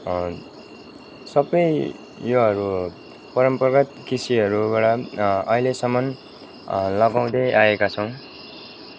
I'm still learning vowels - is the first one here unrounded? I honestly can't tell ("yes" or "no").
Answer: yes